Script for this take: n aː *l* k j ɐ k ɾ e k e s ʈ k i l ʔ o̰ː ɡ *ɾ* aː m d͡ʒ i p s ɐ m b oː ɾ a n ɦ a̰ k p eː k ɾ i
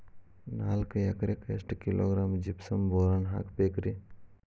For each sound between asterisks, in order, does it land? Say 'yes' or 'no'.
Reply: yes, yes

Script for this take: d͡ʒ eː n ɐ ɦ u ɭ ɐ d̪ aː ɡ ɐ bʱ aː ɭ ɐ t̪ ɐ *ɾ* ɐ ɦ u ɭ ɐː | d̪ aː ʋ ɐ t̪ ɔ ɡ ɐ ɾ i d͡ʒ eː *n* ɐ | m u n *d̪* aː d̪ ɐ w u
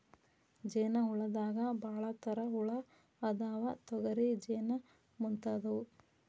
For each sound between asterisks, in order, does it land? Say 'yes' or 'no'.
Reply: yes, yes, no

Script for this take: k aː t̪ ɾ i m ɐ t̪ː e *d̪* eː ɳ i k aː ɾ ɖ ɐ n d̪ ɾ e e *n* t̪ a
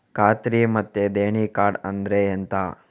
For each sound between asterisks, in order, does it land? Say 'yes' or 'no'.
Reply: yes, yes

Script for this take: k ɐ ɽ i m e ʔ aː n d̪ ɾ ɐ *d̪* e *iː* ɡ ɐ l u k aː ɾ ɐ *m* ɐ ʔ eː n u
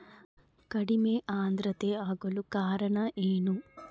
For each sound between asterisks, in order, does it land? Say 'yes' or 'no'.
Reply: no, no, no

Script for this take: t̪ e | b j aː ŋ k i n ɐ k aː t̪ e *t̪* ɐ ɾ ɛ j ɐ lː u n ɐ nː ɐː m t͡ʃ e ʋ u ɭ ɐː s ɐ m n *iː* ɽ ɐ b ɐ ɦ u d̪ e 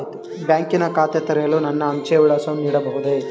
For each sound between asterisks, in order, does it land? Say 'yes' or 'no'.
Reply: yes, yes

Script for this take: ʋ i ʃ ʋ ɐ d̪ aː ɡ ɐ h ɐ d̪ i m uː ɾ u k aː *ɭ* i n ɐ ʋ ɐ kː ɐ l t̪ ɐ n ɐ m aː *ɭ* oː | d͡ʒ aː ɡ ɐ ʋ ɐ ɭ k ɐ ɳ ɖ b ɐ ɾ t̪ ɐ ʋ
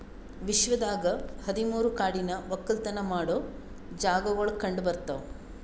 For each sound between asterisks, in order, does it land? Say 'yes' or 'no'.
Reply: no, no

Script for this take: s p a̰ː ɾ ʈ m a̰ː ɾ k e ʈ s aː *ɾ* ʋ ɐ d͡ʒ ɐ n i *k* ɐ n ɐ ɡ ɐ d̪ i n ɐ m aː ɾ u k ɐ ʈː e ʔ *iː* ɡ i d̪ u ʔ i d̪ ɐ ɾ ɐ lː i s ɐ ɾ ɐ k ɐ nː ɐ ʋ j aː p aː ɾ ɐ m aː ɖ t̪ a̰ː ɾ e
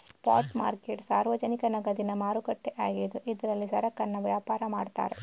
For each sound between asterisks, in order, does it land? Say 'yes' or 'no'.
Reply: yes, yes, no

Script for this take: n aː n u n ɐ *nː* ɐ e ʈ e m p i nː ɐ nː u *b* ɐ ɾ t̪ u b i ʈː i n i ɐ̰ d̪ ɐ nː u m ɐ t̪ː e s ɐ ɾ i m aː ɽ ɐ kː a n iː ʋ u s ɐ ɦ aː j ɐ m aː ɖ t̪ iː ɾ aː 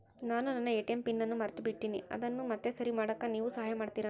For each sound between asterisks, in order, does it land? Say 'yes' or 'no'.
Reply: yes, no

